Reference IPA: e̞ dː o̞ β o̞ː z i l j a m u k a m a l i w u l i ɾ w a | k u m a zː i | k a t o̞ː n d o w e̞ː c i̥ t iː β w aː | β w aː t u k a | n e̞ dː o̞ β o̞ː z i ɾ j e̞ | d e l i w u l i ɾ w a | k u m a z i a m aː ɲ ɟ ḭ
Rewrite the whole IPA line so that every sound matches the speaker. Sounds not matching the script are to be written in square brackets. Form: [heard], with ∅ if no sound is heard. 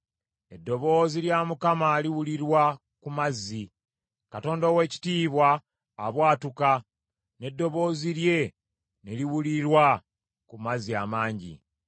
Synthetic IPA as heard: e̞ dː o̞ β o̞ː z i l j a m u k a m a l i w u l i ɾ w a | k u m a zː i | k a t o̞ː n d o w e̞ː c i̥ t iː β w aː | β w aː t u k a | n e̞ dː o̞ β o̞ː z i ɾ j e̞ | [n] e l i w u l i ɾ w a | k u m a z i a m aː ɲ ɟ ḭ

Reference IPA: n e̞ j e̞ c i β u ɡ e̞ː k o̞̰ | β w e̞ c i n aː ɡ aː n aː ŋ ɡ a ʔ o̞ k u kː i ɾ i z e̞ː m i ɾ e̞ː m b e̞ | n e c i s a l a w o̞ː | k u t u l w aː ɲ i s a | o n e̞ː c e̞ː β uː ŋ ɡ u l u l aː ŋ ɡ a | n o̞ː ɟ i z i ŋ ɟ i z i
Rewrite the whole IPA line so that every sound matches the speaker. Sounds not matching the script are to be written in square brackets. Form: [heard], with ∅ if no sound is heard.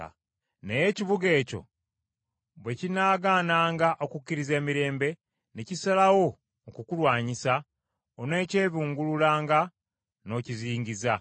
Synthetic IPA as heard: n e̞ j e̞ c i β u ɡ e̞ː [c] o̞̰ | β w e̞ c i n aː ɡ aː n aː ŋ ɡ a ʔ o̞ k u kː i ɾ i z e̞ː m i ɾ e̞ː m b e̞ | n e c i s a l a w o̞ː | k u [k] u l w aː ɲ i s a | o n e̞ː c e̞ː β uː ŋ ɡ u l u l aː ŋ ɡ a | n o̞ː [c] i z [iː] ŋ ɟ i z [a]

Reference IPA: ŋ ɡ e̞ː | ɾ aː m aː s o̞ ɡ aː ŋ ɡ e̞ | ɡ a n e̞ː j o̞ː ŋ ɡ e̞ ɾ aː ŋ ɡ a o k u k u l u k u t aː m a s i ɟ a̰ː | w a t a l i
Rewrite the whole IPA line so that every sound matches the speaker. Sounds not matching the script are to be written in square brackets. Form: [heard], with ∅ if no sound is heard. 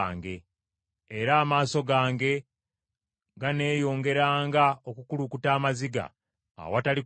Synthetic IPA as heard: ŋ ɡ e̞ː | ɾ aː m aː s o̞ ɡ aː ŋ ɡ e̞ | ɡ a n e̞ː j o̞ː ŋ ɡ e̞ ɾ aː ŋ ɡ a o k u k u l u k u t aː m a [z] i [ɡ] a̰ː | w a t a l i

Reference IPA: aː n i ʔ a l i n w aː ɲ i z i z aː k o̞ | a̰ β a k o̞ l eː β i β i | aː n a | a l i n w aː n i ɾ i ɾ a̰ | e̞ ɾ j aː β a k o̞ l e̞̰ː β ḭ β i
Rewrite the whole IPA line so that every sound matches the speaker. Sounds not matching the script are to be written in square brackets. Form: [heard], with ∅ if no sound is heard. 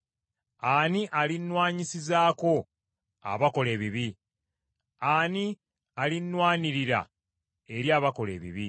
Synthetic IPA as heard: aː n i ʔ a l i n w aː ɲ i [s] i z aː k o̞ | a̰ β a k o̞ l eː β i β i | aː n [i] | a l i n w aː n i ɾ i ɾ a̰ | e̞ ɾ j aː β a k o̞ l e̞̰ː β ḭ β i

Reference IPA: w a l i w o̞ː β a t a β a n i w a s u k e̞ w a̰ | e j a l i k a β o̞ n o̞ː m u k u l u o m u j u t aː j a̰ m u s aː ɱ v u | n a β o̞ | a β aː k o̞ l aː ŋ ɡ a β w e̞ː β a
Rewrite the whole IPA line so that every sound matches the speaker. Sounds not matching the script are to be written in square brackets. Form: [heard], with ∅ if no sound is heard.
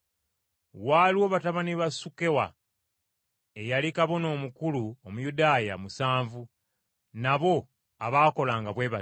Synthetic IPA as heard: w a l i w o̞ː β a t a β a n i [β] a s u k e̞ w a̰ | e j a l i k a β o̞ n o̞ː m u k u l u o m u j u [d] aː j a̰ m u s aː ɱ v u | n a β o̞ | a β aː k o̞ l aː ŋ ɡ a β w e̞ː β a

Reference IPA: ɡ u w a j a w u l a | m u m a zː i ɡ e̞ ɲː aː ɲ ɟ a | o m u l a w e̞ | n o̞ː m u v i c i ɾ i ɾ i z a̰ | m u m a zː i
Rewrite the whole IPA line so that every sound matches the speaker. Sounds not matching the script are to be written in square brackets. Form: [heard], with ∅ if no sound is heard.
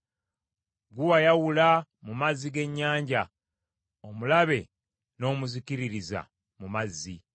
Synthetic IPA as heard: ɡ u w a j a w u l a | m u m a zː i ɡ e̞ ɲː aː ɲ ɟ a | o m u l a [β] e̞ | n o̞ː m u [z] i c i ɾ i ɾ i z a̰ | m u m a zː i

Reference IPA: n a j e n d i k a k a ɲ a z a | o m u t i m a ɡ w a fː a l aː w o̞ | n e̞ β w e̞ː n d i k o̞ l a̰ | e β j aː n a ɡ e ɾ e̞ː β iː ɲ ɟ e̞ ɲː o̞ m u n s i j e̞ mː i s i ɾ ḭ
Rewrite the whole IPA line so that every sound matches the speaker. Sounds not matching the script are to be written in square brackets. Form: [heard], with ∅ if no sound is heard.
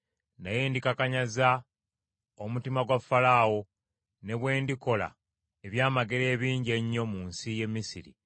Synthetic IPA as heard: n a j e n d i k a k a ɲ a z a | o m u t i m a ɡ w a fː a l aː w o̞ | n e̞ β w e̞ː n d i k o̞ l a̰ | e β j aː [m] a ɡ e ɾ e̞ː β iː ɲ ɟ e̞ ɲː o̞ m u n s i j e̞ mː i s i ɾ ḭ

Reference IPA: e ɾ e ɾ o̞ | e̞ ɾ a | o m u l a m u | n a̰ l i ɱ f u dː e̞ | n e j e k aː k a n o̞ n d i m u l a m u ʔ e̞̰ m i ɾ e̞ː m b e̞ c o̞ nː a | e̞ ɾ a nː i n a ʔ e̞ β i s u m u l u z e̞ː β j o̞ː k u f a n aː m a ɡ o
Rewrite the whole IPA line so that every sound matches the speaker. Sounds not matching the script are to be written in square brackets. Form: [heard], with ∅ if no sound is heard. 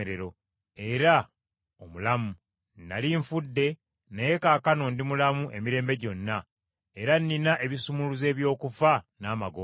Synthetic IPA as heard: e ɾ e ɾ o̞ | e̞ ɾ a | o m u l a m u | n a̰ l i ɱ f u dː e̞ | n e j e k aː k a n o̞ n d i m u l a m u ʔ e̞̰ m i ɾ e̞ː m b e̞ [ɟ] o̞ nː a | e̞ ɾ a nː i n a ʔ e̞ β i s u m u l u z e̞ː β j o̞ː k u f a n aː m a ɡ o

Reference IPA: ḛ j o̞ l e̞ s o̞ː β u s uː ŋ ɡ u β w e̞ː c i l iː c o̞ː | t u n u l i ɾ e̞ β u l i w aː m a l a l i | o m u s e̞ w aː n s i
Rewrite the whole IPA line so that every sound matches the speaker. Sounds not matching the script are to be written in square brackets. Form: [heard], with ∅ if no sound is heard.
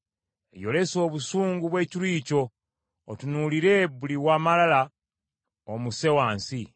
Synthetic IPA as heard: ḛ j o̞ l e̞ s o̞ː β u s uː ŋ ɡ u β w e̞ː c i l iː c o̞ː | t u n u l i ɾ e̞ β u l i w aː m a l a l [a] | o m u s e̞ w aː n s i

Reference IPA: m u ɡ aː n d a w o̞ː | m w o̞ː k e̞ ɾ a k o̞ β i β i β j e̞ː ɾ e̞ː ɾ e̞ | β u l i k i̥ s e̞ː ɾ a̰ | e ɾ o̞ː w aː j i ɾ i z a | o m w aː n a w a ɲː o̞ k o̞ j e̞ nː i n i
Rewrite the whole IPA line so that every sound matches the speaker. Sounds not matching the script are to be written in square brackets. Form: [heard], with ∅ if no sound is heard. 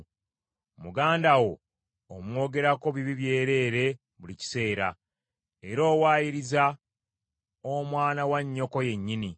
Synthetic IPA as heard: m u ɡ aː n d a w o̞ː | m w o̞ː [ɡ] e̞ ɾ a k o̞ β i β i β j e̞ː ɾ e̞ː ɾ e̞ | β u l i [c] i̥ s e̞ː ɾ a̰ | e ɾ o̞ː w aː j i ɾ i z a | o m w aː n a w a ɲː o̞ k o̞ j e̞ [ɲː] i n i

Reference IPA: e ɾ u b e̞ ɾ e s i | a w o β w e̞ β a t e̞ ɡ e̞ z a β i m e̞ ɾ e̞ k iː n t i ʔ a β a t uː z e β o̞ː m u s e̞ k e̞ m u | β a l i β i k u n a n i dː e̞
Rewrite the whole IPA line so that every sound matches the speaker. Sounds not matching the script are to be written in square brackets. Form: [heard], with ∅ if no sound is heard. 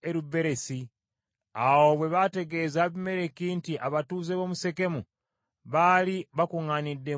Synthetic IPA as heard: e ɾ u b e̞ ɾ e s i | a w o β w e̞ β a t e̞ ɡ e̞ z a β i m e̞ ɾ e̞ k iː n t i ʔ a β a t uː z e β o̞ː m u s e̞ k e̞ m u | β a l i β [a] k u [ŋ] a n i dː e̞

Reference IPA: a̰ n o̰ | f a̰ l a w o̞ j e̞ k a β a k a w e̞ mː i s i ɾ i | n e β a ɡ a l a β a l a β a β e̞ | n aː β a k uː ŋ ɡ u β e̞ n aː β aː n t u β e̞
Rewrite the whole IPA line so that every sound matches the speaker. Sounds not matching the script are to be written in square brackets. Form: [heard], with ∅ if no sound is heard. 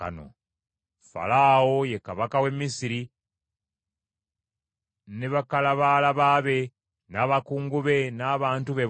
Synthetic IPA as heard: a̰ n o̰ | f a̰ l a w o̞ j e̞ k a β a k a w e̞ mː i s i ɾ i | n e β a [k] a l a β a l a β a β e̞ | n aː β a k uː ŋ ɡ u β e̞ n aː β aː n t u β e̞

